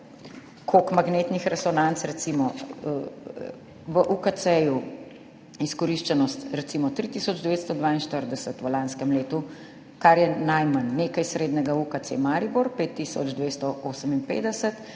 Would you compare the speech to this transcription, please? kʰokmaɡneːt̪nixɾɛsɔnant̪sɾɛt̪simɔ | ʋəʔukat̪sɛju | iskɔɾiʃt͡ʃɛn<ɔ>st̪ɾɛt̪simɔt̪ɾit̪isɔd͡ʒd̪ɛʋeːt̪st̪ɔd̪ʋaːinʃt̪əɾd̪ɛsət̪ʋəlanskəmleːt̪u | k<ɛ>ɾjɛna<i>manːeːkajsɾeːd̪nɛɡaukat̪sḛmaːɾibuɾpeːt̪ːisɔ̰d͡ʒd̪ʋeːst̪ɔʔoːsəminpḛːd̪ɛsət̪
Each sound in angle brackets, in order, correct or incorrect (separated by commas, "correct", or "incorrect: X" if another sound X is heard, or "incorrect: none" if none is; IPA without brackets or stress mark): correct, incorrect: a, incorrect: j